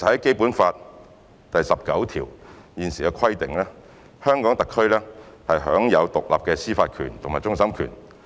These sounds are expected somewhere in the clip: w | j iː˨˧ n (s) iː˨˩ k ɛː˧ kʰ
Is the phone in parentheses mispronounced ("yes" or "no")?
no